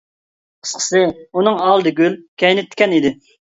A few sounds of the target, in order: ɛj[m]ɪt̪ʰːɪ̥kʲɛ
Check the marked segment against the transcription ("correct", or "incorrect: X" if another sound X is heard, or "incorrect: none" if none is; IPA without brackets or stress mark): incorrect: n